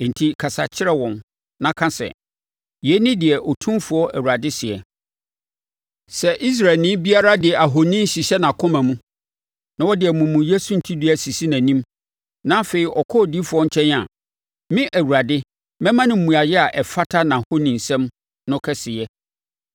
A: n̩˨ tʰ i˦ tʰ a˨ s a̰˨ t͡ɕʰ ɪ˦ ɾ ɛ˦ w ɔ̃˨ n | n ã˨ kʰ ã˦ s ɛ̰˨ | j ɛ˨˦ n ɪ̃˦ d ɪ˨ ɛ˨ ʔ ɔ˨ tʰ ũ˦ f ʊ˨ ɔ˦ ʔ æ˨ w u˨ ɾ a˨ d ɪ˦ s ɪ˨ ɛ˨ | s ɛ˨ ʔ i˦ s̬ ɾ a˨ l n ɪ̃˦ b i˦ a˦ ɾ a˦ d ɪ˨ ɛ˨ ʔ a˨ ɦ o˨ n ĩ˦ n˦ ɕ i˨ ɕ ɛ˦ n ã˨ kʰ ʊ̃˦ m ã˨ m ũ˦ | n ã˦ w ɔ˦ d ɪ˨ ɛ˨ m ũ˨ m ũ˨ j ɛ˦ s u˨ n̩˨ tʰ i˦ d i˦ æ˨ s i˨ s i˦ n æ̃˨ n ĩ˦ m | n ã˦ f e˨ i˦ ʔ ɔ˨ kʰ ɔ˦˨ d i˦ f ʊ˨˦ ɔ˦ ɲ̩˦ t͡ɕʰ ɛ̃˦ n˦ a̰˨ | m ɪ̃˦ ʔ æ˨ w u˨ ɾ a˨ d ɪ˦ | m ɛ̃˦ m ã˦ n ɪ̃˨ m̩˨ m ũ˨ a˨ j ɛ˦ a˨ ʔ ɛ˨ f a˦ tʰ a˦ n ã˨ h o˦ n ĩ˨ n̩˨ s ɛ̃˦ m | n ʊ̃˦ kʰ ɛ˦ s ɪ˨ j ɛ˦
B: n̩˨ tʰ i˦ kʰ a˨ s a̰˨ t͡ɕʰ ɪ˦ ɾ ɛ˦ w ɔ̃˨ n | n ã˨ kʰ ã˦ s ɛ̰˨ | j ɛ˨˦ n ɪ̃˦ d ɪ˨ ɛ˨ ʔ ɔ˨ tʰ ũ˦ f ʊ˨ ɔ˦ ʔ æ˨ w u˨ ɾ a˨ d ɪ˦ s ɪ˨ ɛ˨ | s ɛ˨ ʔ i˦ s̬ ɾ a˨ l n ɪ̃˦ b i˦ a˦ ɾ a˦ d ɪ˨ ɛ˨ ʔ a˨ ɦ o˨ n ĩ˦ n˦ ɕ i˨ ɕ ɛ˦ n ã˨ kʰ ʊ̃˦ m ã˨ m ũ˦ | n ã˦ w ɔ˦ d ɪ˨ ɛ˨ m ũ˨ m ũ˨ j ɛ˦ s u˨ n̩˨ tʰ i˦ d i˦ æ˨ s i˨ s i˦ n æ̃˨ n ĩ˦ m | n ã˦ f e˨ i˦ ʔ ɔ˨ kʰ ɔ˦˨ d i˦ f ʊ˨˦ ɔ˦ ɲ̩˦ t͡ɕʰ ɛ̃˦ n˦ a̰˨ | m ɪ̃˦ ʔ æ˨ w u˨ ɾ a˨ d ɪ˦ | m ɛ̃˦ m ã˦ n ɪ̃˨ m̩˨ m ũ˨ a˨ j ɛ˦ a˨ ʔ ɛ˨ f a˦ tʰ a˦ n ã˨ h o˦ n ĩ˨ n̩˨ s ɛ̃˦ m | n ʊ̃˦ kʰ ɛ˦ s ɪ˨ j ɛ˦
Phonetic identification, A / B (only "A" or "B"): B